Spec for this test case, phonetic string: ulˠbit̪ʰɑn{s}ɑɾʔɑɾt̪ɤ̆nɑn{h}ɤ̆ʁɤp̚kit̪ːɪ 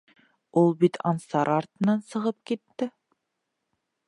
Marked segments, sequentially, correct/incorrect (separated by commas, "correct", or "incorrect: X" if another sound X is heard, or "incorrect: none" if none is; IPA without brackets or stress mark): correct, incorrect: s